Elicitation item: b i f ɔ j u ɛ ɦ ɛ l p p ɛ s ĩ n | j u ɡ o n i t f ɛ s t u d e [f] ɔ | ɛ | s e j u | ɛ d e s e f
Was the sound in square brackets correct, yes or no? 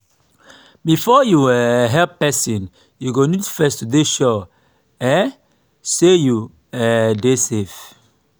no